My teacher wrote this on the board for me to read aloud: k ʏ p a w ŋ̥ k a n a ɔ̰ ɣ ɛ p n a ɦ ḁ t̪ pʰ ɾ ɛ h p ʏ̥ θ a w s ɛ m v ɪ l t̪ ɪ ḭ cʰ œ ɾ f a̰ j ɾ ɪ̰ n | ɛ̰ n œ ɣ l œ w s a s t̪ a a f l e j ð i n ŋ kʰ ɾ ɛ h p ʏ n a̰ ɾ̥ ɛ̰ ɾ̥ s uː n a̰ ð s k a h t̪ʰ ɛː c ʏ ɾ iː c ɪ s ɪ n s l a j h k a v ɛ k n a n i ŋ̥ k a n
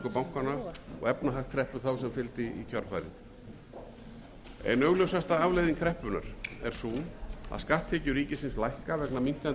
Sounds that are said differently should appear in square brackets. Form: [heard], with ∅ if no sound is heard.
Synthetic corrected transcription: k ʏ p a w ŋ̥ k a n a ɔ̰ ɣ ɛ p n a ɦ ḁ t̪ [kʰ] ɾ ɛ h p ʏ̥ θ a w s ɛ m [f] ɪ l t̪ ɪ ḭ cʰ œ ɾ f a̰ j ɾ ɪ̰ n | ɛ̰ n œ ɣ l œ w s a s t̪ a a [v] l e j ð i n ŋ kʰ ɾ ɛ h p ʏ n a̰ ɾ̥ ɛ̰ ɾ̥ s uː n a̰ ð s k a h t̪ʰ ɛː c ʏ ɾ iː c ɪ s ɪ n s l a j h k a v ɛ k n a [m] i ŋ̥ k a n